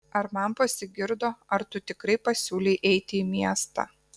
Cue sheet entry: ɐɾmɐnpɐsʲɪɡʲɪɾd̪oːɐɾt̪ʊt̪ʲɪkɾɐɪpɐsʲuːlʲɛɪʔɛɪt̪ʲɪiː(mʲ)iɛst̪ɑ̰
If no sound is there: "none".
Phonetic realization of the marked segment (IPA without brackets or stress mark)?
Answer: mʲ